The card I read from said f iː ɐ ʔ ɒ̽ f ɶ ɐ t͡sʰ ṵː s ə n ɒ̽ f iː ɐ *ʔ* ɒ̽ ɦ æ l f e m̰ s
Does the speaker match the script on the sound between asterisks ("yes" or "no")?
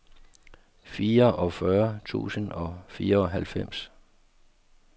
no